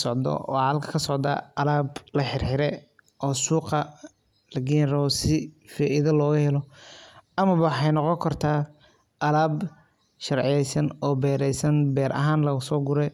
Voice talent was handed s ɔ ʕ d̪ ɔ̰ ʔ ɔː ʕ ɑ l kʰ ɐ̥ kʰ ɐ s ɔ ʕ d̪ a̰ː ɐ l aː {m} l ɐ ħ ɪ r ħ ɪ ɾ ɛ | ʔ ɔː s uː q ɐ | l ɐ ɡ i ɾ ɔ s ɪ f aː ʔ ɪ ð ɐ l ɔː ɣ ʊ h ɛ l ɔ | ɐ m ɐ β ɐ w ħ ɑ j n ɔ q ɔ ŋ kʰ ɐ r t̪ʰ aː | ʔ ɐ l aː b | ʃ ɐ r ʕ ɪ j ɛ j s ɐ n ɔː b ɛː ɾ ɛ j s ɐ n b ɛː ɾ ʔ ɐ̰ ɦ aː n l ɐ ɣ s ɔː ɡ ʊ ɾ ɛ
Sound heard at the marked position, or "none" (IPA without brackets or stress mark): b